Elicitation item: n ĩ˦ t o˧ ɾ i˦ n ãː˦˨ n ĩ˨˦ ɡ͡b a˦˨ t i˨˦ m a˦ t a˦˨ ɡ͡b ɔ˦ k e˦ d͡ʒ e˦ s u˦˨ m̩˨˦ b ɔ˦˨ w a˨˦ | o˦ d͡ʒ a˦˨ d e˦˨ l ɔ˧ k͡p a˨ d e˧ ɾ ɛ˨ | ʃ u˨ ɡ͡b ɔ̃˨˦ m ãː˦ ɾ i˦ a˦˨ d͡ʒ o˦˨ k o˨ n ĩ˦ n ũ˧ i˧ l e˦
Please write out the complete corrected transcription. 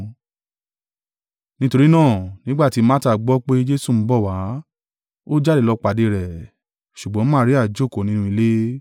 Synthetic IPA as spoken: n ĩ˦ t o˧ ɾ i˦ n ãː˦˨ n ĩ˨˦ ɡ͡b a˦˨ t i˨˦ m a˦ t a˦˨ ɡ͡b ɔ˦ k͡p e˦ d͡ʒ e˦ s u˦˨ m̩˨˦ b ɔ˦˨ w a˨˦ | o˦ d͡ʒ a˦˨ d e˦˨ l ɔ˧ k͡p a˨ d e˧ ɾ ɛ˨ | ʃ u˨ ɡ͡b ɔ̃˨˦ m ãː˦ ɾ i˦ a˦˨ d͡ʒ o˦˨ k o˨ n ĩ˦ n ũ˧ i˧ l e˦